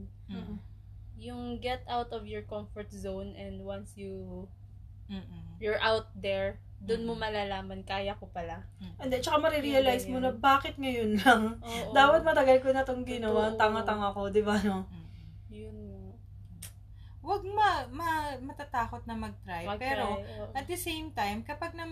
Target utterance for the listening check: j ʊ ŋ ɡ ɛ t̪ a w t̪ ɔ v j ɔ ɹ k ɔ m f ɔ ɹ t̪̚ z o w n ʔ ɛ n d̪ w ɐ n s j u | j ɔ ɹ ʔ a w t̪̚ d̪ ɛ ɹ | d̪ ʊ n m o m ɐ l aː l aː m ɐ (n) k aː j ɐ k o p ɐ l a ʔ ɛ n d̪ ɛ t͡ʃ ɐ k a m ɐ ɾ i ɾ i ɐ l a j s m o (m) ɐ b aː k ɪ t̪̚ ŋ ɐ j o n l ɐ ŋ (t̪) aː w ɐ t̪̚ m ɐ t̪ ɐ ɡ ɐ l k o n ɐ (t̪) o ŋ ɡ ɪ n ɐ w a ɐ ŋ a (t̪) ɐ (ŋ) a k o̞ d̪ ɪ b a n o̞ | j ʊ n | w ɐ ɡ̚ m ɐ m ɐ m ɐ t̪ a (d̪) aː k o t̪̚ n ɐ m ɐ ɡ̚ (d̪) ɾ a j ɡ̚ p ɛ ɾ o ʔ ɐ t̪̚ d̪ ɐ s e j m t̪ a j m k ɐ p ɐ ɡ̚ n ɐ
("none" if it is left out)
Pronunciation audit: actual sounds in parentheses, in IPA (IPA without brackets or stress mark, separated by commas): n, n, d̪, t̪, t̪, ŋ, t̪, t̪